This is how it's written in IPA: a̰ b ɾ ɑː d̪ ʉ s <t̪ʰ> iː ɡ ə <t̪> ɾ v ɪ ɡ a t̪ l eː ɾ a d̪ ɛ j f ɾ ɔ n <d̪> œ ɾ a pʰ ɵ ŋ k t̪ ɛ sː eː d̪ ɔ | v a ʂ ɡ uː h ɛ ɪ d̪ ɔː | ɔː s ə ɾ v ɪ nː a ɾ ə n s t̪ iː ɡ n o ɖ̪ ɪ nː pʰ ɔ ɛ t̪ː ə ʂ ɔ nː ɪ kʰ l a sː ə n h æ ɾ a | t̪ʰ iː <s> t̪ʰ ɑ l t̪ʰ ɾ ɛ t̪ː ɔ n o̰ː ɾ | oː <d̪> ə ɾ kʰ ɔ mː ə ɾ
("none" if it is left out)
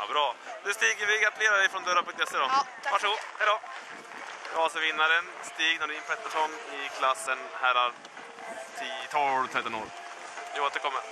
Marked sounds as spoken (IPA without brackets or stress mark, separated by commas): t̪, none, d̪, none, t̪